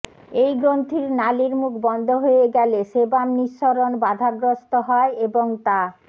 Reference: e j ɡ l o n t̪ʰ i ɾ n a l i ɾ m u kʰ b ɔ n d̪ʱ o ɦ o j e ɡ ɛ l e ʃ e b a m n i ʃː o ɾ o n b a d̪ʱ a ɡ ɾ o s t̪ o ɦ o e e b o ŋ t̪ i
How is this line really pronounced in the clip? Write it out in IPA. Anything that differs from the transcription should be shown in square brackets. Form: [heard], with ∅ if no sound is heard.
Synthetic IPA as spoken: e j ɡ [ɾ] o n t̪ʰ i ɾ n a l i ɾ m u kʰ b ɔ n d̪ʱ o ɦ o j e ɡ ɛ l e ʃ e b a m n i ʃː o ɾ o n b a d̪ʱ a ɡ ɾ o s t̪ o ɦ [ɔ] e e b o ŋ t̪ [a]

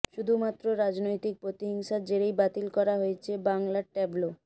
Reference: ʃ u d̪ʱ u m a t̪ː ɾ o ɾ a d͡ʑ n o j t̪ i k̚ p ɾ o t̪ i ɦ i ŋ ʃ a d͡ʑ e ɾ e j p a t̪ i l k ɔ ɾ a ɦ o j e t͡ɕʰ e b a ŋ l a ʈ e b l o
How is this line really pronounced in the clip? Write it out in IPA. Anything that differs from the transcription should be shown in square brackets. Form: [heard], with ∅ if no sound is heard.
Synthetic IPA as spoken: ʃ u d̪ʱ u m a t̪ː ɾ o ɾ a d͡ʑ n o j t̪ i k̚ p ɾ o t̪ i ɦ i ŋ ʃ a d͡ʑ e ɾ e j [b] a t̪ i l k ɔ ɾ a ɦ o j e t͡ɕʰ e b a ŋ l a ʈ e b l o

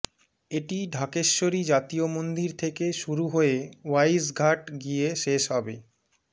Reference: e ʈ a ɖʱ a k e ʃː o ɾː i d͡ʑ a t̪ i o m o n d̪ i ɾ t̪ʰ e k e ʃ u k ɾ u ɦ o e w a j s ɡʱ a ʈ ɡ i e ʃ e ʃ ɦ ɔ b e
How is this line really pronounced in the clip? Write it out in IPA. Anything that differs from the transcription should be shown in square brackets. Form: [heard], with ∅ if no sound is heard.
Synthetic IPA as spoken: e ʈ [i] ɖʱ a k e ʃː o [ɾ] i d͡ʑ a t̪ i o m o n d̪ i ɾ t̪ʰ e k e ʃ u [∅] ɾ u ɦ o e w a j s ɡʱ a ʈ ɡ i e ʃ e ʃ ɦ ɔ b e

